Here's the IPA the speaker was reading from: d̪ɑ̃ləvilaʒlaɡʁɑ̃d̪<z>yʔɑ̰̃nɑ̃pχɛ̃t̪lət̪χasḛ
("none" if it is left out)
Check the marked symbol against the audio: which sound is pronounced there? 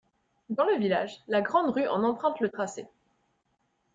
ʁ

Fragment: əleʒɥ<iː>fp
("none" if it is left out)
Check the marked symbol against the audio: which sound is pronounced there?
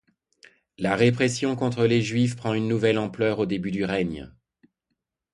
i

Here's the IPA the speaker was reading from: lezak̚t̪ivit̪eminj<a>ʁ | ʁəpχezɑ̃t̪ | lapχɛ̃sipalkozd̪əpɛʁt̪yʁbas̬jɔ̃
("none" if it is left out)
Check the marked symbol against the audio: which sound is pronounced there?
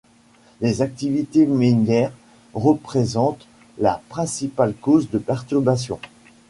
ɛ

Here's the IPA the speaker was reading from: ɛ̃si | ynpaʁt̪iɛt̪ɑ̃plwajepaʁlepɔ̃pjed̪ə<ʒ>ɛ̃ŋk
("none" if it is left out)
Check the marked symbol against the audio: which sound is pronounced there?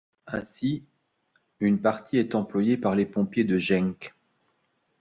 ʒ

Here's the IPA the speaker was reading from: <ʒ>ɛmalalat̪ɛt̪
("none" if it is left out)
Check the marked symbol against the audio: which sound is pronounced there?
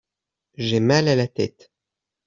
ʒ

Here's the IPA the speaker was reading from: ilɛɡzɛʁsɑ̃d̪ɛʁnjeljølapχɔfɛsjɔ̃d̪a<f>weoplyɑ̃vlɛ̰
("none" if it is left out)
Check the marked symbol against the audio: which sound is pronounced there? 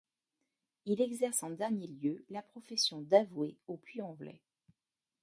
v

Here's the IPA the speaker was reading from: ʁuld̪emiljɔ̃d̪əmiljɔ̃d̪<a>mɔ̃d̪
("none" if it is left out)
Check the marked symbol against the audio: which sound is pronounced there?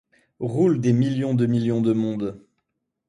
ə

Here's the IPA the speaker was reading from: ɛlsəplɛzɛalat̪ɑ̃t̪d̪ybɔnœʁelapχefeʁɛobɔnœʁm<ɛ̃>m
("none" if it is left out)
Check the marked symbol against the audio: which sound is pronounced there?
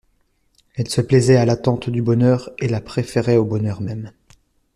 ɛ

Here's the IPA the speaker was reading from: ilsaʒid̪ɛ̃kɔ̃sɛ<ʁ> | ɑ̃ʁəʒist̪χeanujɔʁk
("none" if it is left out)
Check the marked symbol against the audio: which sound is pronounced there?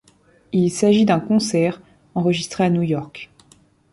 ʁ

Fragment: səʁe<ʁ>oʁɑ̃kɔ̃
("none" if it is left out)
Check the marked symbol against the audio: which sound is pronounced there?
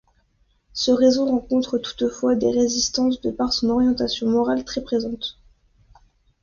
z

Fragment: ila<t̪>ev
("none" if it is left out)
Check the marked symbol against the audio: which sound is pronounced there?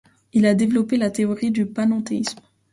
d̪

